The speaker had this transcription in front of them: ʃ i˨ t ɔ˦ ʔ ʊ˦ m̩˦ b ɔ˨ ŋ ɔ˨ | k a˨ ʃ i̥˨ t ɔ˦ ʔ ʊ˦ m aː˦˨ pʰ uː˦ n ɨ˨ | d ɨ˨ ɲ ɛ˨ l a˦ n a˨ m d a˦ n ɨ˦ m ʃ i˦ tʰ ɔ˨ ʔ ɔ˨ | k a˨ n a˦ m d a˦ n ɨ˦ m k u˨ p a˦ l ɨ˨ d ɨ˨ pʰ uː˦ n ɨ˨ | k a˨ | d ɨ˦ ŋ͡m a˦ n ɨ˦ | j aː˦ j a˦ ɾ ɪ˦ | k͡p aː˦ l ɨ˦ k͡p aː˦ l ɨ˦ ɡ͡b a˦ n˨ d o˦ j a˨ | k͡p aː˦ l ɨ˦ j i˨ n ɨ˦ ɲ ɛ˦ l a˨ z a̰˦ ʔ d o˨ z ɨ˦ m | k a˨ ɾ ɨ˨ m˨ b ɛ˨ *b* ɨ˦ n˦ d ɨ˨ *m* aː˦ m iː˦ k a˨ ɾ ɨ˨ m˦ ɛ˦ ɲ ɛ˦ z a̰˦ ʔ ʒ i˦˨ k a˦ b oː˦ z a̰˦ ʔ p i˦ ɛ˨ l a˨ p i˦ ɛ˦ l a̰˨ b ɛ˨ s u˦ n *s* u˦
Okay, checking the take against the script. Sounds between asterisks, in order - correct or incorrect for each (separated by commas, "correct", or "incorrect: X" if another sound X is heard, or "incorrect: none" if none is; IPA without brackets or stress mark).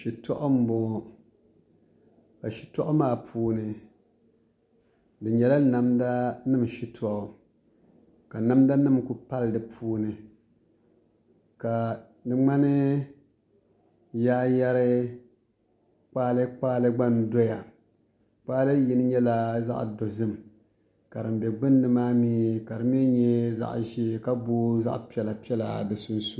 incorrect: ɡ͡b, correct, correct